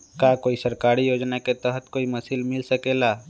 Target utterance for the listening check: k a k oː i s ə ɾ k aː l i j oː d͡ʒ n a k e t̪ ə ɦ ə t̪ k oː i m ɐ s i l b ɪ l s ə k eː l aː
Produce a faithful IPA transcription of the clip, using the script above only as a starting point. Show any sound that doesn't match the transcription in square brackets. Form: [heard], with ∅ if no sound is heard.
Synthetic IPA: k a k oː i s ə ɾ k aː [ɾ] i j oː d͡ʒ n a k e t̪ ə ɦ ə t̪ k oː i m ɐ s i l [m] ɪ l s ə k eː l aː